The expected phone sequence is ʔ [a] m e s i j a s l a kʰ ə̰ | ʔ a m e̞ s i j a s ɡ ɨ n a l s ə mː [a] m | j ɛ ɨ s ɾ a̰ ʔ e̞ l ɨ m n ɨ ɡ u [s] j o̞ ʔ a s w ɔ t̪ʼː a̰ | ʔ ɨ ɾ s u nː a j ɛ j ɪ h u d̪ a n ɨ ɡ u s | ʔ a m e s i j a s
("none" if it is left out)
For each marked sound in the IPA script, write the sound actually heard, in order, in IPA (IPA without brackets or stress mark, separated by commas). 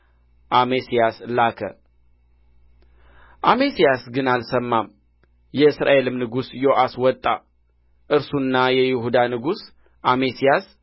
a, a, s